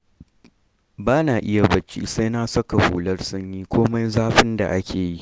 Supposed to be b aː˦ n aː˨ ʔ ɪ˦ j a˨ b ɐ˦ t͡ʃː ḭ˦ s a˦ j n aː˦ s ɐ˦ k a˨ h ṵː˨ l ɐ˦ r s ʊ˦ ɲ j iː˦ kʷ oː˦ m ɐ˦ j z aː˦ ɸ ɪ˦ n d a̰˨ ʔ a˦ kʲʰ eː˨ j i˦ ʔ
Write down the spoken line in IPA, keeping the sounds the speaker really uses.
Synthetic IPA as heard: b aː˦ n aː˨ ʔ ɪ˦ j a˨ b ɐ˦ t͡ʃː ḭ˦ s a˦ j n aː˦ s ɐ˦ k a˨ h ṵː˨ l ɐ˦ r s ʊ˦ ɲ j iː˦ kʷ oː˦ m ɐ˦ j z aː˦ ɸ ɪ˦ n d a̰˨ ʔ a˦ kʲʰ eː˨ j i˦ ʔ